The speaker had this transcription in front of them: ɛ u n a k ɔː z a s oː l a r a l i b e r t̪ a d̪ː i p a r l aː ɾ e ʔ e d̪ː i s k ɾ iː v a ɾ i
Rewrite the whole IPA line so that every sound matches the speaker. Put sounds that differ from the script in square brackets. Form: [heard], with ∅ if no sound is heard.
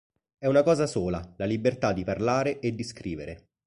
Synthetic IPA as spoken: ɛ u n a k ɔː z a s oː l a [l] a l i b e r t̪ a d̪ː i p a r l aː ɾ e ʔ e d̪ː i s k ɾ iː v [e] ɾ [e]